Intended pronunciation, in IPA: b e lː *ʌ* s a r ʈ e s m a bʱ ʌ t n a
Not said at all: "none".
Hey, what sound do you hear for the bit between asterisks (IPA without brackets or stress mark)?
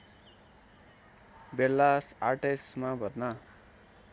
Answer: a